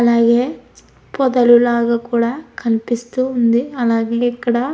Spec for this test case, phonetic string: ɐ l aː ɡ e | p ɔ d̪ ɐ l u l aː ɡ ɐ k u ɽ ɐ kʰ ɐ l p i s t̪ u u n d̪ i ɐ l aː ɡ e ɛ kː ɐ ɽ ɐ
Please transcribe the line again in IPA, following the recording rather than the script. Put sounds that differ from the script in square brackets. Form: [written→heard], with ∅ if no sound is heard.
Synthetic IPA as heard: ɐ l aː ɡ e | p ɔ d̪ ɐ l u l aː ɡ ɐ k [u→uː] ɽ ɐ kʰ ɐ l p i s t̪ u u n d̪ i ɐ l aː ɡ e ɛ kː ɐ ɽ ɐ